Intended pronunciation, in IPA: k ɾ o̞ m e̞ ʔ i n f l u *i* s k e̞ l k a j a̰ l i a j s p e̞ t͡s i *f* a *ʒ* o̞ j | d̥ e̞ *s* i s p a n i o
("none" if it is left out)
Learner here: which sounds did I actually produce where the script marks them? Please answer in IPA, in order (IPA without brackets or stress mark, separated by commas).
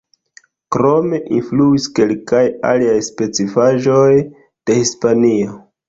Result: i, f, ʒ, h